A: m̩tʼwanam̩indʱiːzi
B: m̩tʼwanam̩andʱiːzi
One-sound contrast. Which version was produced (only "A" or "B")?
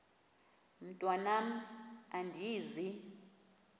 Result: B